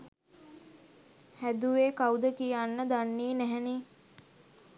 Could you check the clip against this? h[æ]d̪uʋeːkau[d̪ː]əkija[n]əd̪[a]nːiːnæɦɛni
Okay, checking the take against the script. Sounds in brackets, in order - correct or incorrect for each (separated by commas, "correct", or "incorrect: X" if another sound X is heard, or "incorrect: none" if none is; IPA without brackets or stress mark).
correct, incorrect: d̪, incorrect: nː, correct